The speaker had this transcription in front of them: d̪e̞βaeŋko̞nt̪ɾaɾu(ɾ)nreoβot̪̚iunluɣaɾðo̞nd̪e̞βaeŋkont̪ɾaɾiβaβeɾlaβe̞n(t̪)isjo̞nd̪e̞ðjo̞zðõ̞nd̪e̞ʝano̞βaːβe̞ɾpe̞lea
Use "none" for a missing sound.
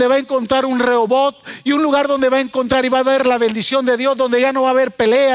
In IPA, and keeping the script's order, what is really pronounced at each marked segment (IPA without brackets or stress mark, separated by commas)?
none, d̪